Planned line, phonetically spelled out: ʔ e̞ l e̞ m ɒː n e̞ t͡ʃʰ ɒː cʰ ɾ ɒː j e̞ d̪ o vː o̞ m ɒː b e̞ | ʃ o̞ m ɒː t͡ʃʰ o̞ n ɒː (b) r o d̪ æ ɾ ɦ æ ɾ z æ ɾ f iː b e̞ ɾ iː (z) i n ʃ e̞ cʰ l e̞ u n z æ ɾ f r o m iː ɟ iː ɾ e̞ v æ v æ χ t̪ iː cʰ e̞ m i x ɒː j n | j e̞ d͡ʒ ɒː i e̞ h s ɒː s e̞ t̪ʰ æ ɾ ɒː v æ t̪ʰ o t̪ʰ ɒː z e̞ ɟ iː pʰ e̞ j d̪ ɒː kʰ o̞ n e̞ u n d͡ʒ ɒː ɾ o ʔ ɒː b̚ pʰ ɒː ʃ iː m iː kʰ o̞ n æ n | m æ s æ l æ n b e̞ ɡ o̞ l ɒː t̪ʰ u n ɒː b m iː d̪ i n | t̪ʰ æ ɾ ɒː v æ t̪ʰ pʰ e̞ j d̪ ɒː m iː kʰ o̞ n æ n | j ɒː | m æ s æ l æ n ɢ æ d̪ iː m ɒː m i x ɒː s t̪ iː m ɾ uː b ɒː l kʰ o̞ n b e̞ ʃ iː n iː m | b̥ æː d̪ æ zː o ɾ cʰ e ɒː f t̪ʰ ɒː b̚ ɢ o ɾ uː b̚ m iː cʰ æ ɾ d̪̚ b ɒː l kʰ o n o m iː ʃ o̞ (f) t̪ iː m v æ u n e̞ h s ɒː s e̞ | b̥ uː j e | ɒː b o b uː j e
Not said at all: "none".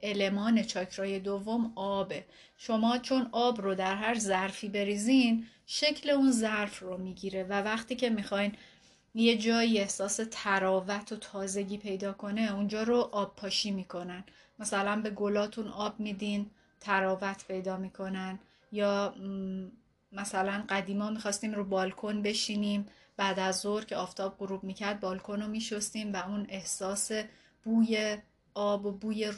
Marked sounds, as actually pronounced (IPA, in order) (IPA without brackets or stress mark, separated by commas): b, z, s